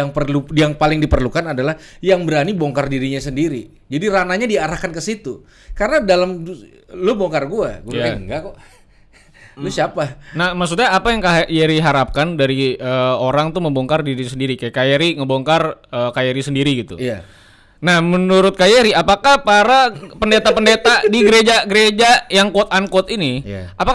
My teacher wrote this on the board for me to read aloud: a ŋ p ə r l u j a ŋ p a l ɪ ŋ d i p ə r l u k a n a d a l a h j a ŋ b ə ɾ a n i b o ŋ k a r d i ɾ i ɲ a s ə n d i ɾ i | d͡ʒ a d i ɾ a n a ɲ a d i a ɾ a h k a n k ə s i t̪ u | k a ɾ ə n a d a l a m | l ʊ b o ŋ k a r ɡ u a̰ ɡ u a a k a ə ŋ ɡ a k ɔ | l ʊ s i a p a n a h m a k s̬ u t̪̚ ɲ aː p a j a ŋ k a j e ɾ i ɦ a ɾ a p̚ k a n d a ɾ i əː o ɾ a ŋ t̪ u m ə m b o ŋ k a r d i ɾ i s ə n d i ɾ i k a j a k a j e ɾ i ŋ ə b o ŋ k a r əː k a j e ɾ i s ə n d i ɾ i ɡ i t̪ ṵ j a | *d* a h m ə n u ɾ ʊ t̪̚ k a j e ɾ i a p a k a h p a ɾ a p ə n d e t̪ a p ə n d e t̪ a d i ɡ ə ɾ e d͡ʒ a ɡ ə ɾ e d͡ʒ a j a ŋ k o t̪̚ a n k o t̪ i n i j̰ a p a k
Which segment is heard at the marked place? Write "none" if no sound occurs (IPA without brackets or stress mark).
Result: n